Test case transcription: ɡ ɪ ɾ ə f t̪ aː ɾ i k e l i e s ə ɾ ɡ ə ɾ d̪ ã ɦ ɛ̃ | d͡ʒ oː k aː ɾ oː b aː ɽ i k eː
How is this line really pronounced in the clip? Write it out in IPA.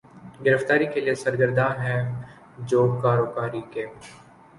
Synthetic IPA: ɡ ɪ ɾ ə f t̪ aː ɾ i k e l i e s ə ɾ ɡ ə ɾ d̪ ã ɦ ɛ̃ | d͡ʒ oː k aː ɾ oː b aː ɾ i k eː